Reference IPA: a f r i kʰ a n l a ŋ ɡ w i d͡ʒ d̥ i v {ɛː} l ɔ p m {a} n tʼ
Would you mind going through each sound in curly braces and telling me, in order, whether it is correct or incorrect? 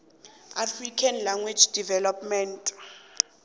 incorrect: ɛ, incorrect: ɛ

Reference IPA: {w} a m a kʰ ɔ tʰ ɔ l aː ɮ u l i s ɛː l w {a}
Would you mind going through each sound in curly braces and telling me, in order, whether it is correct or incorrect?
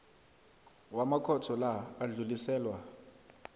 correct, correct

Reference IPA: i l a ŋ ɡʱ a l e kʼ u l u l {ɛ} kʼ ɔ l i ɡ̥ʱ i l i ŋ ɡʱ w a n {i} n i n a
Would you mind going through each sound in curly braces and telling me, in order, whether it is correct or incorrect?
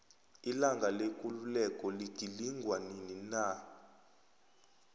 correct, correct

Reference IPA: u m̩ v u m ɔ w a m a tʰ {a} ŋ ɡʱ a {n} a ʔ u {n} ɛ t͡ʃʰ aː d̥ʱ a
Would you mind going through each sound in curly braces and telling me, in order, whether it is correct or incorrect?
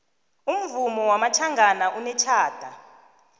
correct, correct, correct

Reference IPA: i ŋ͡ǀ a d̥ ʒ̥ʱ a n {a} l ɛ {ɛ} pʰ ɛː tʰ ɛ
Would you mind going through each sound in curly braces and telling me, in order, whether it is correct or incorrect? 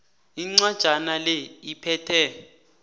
correct, incorrect: i

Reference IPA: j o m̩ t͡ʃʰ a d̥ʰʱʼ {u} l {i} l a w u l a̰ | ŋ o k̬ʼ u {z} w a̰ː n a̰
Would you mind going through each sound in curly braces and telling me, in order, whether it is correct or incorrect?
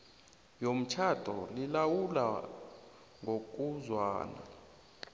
incorrect: ɔ, correct, correct

